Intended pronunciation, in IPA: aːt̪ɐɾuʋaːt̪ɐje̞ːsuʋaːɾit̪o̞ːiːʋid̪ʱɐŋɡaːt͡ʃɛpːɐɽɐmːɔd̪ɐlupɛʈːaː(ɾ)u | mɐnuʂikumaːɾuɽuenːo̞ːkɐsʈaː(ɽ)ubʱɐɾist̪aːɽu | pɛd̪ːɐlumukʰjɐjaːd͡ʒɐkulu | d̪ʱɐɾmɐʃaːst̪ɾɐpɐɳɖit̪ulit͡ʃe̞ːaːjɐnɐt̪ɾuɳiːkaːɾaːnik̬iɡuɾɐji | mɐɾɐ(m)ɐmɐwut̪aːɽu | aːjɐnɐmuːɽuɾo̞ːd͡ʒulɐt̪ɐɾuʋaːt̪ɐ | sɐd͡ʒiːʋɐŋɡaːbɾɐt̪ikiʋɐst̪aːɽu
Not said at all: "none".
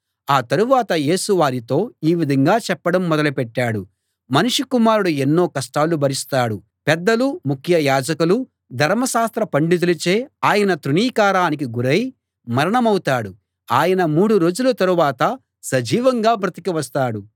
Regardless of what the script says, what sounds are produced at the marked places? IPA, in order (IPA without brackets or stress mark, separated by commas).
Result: ɽ, l, ɳ